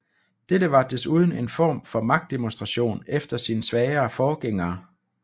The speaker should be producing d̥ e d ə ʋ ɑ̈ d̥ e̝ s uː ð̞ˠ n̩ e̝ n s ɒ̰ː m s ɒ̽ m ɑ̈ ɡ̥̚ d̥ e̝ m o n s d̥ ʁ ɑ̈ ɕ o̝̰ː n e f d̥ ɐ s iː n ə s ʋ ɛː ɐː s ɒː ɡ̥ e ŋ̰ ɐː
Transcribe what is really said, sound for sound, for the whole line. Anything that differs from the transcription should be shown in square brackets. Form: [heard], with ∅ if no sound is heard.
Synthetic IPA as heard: d̥ e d ə ʋ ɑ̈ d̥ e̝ s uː ð̞ˠ n̩ e̝ n [f] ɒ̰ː m [f] ɒ̽ m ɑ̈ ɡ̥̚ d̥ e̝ m o n s d̥ ʁ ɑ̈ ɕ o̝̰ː n e f d̥ ɐ s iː n ə s ʋ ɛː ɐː [f] ɒː ɡ̥ e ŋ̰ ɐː